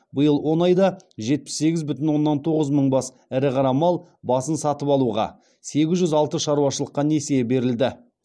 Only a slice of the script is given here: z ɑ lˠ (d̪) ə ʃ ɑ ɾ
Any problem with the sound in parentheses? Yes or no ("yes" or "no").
yes